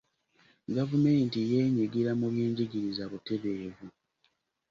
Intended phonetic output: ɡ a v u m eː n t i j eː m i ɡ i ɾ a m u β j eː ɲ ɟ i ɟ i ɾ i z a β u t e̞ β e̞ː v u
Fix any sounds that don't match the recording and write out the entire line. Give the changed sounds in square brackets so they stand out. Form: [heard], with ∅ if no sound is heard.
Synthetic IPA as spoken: ɡ a v u m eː n t i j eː [ɲ] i ɡ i ɾ a m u β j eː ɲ ɟ i ɟ i ɾ i z a β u t e̞ β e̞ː v u